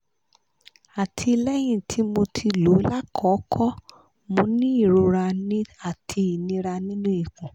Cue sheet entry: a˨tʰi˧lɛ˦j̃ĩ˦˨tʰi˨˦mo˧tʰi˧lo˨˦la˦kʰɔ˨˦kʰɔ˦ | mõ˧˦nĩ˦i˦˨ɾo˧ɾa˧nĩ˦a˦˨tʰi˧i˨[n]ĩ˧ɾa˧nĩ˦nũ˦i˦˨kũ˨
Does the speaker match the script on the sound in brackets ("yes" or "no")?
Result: yes